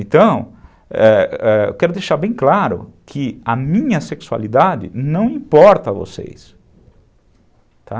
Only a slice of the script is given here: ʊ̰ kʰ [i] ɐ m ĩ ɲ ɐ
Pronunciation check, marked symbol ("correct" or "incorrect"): incorrect